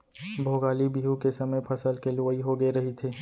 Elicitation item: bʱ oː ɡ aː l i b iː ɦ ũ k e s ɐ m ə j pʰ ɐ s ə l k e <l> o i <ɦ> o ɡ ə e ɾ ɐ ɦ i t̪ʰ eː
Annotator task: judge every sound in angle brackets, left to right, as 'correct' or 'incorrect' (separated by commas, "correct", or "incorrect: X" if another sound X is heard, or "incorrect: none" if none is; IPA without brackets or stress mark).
correct, correct